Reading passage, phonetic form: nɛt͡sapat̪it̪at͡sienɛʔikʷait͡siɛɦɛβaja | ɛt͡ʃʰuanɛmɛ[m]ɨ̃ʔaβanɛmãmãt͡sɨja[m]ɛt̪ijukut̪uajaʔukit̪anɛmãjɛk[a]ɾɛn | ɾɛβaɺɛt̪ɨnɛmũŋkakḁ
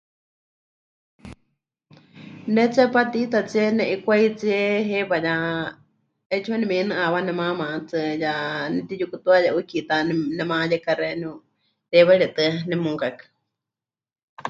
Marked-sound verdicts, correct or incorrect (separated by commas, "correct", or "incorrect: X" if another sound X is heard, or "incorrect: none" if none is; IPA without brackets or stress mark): incorrect: n, incorrect: n, correct